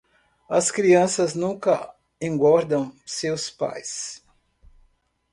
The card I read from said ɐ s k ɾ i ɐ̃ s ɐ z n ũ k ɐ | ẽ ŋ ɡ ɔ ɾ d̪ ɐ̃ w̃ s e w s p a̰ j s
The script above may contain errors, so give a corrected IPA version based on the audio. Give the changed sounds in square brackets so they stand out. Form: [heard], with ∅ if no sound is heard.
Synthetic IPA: ɐ s k ɾ i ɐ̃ s ɐ z n ũ k ɐ | ẽ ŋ ɡ ɔ ɾ d̪ ɐ̃ w̃ s e w s p a̰ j s